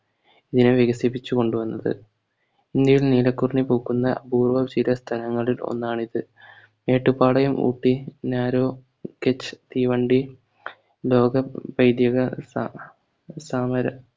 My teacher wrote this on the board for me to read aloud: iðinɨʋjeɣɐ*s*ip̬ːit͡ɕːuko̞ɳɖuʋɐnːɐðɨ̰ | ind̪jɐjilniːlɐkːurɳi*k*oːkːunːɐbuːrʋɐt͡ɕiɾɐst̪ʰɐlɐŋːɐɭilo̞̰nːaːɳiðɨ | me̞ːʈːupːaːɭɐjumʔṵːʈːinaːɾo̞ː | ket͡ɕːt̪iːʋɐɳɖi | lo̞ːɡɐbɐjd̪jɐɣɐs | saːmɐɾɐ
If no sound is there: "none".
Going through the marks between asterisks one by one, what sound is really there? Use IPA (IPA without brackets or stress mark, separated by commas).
s, p